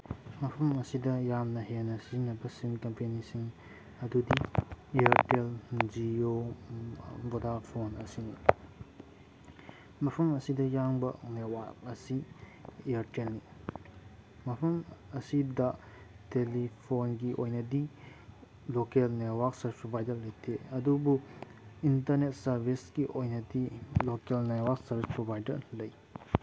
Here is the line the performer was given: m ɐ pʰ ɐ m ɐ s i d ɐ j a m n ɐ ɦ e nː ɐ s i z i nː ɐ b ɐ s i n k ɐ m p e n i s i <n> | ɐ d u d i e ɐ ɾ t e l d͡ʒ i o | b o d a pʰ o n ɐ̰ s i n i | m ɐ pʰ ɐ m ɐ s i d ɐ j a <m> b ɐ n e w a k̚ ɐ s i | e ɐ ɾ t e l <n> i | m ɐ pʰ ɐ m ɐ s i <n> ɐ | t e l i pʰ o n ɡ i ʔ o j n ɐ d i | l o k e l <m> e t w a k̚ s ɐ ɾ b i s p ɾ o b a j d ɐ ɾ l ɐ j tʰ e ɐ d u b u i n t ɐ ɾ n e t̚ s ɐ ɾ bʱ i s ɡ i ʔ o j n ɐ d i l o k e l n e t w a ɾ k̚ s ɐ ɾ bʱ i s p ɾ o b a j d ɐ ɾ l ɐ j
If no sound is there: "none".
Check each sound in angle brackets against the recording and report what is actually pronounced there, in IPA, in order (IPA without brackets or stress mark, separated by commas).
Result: ŋ, ŋ, n, d, n